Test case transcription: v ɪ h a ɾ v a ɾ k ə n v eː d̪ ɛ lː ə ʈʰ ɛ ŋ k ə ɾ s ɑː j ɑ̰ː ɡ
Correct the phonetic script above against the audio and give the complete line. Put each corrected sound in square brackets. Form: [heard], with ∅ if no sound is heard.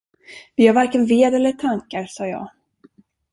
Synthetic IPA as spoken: v ɪ h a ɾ v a ɾ k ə n v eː d̪ ɛ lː ə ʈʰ [a] ŋ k [a] ɾ s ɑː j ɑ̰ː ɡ